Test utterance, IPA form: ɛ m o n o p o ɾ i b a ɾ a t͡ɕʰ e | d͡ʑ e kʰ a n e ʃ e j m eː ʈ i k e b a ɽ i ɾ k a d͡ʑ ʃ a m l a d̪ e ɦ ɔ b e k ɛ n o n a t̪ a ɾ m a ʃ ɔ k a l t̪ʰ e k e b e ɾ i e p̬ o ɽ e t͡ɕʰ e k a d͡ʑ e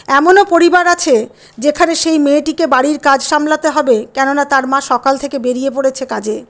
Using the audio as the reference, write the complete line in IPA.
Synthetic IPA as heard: ɛ m o n o p o ɾ i b a ɾ a t͡ɕʰ e | d͡ʑ e kʰ a n e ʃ e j m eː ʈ i k e b a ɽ i ɾ k a d͡ʑ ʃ a m l a t̪ e ɦ ɔ b e k ɛ n o n a t̪ a ɾ m a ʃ ɔ k a l t̪ʰ e k e b e ɾ i e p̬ o ɽ e t͡ɕʰ e k a d͡ʑ e

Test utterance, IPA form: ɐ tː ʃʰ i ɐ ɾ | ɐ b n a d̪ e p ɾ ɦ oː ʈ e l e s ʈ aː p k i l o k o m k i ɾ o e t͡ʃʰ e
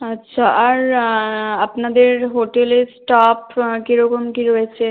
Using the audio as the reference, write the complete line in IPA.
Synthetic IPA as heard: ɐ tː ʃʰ a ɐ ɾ | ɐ p n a d̪ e ɾ ɦ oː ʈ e l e s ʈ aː p k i ɾ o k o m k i ɾ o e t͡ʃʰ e

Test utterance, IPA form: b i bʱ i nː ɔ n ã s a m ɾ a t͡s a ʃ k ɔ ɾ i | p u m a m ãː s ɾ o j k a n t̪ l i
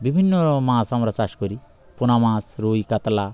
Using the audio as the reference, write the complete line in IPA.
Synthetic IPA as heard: b i bʱ i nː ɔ m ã s a m ɾ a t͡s a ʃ k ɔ ɾ i | p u n a m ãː s ɾ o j k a t̪ l a

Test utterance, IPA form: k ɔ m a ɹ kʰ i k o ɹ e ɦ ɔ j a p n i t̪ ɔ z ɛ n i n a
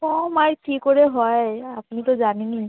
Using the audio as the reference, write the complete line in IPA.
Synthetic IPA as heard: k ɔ m a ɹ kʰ i k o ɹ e ɦ ɔ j a p n i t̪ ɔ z a n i n i

